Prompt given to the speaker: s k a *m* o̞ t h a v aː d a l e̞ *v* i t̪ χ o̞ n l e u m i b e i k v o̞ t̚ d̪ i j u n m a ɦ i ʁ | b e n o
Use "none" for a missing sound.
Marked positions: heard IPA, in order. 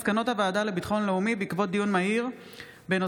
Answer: n, b

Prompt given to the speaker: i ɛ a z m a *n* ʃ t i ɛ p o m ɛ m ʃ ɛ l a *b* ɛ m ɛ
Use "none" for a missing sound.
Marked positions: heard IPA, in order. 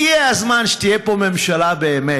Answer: n, b

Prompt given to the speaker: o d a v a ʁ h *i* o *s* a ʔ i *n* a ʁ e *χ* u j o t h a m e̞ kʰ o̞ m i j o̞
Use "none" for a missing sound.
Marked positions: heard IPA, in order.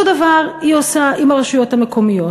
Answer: i, s, m, ʃ

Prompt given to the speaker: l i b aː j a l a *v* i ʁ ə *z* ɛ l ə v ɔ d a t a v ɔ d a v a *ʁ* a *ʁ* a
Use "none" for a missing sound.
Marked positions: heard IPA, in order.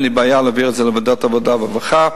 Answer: v, z, v, χ

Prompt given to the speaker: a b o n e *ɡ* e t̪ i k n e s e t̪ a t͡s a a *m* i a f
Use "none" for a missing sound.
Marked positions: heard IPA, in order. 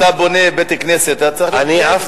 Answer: b, n

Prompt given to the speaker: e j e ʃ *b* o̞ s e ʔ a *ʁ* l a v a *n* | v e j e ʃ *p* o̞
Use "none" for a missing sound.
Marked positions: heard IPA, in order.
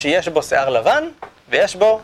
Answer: b, ʁ, n, b

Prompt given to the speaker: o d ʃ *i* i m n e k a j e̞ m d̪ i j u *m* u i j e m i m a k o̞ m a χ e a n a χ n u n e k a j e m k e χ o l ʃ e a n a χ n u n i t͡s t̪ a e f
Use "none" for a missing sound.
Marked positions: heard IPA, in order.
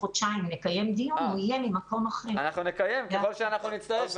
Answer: a, n

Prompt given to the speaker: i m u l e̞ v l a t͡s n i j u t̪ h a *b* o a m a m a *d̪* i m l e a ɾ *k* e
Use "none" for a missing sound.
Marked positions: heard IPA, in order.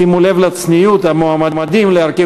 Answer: m, d̪, k

